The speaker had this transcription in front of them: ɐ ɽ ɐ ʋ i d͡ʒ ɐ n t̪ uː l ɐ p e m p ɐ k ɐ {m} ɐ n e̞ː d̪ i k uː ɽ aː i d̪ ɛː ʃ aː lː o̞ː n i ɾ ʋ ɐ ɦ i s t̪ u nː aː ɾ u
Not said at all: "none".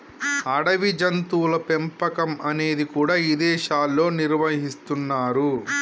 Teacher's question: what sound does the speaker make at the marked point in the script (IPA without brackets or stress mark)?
m